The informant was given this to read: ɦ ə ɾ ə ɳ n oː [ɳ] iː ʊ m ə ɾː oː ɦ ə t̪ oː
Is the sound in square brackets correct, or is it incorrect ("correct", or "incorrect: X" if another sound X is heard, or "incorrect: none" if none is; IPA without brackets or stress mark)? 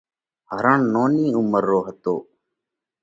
incorrect: n